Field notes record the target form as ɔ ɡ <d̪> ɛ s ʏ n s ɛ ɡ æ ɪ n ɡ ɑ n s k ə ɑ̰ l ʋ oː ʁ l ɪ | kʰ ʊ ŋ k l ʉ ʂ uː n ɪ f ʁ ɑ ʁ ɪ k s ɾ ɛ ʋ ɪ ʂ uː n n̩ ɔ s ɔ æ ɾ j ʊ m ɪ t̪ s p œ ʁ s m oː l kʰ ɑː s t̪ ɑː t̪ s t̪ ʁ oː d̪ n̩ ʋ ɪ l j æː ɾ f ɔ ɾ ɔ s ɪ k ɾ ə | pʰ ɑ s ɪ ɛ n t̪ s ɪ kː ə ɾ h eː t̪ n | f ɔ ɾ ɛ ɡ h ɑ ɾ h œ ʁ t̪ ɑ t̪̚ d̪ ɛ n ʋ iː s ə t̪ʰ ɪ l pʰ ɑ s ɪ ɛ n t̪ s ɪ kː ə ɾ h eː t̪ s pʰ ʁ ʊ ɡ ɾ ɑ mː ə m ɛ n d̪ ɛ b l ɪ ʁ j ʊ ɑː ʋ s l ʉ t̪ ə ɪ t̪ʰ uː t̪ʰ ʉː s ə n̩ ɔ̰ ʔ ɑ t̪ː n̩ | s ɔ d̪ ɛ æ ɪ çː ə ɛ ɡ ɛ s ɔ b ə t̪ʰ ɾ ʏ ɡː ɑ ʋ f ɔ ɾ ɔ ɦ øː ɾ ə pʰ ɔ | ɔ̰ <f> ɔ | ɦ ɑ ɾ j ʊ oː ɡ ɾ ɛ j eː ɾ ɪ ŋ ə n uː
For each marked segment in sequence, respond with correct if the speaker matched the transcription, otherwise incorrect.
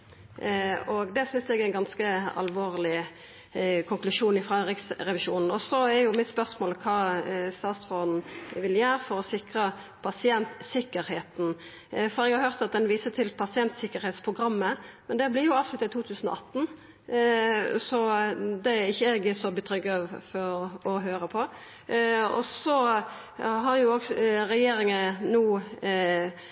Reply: correct, incorrect

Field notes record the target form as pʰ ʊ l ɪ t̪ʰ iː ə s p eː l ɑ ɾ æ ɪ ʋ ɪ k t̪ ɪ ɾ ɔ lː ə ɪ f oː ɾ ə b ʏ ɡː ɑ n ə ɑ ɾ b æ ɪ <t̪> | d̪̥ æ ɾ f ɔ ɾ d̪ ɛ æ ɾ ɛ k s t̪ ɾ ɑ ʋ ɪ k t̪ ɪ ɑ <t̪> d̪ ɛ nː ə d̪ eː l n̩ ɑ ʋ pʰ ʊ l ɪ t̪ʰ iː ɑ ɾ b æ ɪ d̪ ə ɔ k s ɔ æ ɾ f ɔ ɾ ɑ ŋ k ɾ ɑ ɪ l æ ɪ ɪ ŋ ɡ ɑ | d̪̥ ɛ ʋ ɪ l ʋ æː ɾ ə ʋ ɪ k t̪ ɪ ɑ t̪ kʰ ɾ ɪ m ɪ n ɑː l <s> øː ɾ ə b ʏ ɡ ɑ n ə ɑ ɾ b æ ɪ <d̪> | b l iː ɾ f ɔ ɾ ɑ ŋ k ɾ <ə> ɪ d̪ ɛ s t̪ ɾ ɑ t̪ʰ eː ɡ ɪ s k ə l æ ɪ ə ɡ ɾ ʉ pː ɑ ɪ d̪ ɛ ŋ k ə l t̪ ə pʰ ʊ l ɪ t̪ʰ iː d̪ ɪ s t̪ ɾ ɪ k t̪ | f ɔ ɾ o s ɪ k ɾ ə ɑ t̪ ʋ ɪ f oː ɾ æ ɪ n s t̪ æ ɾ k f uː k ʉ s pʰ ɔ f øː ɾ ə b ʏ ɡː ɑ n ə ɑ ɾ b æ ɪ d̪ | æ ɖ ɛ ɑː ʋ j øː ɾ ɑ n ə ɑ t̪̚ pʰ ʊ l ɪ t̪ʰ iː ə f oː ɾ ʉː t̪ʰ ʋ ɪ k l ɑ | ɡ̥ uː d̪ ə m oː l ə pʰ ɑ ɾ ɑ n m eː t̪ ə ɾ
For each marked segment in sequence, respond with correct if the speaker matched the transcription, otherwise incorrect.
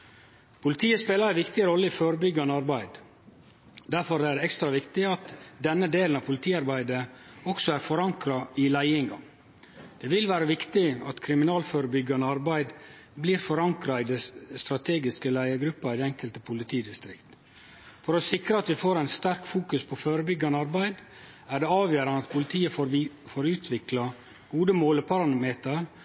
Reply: incorrect, correct, incorrect, correct, incorrect

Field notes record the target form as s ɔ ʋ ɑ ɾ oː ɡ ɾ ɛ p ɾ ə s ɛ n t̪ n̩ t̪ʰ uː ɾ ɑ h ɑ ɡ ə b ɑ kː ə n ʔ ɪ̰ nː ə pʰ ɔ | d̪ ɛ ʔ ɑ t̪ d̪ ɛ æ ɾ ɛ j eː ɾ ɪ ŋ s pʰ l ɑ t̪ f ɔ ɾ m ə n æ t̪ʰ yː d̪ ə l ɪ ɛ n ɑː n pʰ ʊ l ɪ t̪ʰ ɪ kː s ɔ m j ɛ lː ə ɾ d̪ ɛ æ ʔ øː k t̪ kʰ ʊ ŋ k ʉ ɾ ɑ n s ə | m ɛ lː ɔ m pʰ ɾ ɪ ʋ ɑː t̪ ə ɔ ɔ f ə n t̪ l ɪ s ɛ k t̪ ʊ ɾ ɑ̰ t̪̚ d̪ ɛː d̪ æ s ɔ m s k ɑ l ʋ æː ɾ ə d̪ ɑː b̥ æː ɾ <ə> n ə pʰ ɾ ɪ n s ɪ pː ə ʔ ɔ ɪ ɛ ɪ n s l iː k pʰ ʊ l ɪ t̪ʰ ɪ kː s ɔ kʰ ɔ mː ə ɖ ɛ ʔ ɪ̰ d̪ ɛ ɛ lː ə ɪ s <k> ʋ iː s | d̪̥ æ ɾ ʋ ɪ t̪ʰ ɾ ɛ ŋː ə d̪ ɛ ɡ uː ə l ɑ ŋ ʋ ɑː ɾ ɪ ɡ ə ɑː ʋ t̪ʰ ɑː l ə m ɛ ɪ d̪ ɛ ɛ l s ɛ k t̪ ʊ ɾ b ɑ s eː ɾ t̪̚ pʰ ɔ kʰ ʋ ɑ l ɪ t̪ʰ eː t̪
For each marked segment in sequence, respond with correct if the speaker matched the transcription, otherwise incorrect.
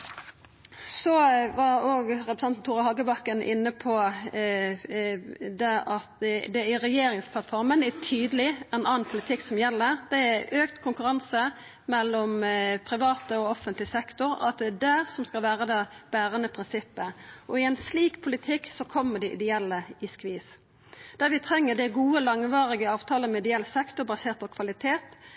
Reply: correct, correct

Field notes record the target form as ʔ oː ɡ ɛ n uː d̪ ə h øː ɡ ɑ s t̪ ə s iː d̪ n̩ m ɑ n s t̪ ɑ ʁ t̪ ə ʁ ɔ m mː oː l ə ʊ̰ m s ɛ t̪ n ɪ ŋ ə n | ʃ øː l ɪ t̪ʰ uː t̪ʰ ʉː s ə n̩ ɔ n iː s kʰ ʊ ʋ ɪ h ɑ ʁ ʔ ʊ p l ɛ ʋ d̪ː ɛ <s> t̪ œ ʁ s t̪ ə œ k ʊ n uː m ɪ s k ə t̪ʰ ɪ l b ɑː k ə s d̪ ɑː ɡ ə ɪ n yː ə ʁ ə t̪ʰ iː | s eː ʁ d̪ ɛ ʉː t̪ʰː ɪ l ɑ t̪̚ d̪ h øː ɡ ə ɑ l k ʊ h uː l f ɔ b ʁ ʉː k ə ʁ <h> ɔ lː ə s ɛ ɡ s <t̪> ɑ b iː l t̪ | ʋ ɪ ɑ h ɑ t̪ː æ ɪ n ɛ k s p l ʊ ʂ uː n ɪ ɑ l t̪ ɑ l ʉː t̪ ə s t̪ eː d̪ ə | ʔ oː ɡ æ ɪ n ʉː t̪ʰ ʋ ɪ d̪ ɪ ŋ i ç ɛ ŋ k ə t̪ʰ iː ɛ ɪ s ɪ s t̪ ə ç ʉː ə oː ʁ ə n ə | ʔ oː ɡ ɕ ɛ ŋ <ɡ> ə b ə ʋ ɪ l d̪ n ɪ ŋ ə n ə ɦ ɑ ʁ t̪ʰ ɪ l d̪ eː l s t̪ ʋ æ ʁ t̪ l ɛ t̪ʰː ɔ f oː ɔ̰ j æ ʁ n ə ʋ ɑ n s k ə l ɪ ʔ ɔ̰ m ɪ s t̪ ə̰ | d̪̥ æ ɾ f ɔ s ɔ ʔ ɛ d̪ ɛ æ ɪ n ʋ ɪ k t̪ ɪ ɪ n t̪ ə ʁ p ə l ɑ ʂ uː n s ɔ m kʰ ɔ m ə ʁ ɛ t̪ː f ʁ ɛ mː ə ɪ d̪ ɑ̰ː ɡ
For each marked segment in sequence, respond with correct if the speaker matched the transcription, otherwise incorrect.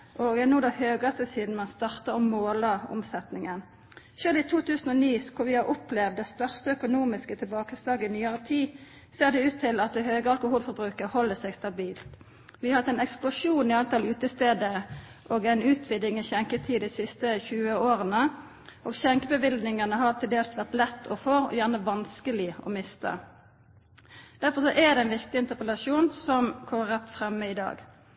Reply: correct, correct, correct, incorrect

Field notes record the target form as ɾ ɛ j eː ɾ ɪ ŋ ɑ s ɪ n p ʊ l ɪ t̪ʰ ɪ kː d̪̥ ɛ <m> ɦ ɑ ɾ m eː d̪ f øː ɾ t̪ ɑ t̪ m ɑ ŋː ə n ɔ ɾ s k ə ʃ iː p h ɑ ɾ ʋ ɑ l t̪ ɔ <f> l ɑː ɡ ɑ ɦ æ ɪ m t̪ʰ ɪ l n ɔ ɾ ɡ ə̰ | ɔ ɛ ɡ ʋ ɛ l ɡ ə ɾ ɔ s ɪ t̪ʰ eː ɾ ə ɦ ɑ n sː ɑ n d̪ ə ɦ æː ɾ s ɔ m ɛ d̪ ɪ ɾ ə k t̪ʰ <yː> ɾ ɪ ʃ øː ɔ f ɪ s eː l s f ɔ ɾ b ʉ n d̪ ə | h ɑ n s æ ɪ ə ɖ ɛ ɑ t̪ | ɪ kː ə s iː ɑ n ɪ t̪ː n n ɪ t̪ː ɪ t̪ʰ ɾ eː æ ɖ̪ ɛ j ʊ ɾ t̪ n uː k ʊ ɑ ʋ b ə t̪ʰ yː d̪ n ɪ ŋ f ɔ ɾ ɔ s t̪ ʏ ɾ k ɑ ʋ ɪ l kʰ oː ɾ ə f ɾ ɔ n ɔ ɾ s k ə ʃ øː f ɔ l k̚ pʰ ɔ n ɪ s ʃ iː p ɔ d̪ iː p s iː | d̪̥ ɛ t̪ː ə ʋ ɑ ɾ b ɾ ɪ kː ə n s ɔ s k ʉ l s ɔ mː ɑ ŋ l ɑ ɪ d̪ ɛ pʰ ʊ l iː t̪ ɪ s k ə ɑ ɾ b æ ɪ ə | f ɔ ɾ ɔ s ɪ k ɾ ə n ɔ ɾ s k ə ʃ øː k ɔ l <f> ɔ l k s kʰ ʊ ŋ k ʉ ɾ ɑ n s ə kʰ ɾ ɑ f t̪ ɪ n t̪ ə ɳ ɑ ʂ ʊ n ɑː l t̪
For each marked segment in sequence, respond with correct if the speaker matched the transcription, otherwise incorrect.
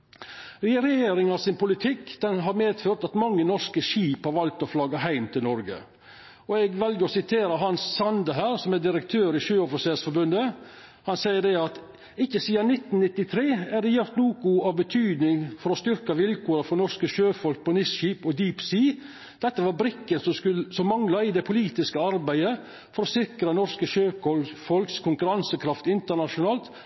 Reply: incorrect, correct, incorrect, correct

